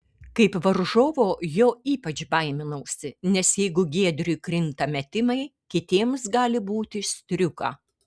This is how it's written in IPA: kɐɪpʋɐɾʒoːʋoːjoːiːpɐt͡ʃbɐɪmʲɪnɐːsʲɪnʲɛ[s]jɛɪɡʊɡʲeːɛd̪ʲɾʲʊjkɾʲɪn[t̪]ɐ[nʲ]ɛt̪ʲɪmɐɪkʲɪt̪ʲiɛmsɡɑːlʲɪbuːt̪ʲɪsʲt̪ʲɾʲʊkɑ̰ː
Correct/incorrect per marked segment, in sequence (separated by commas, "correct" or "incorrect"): correct, correct, incorrect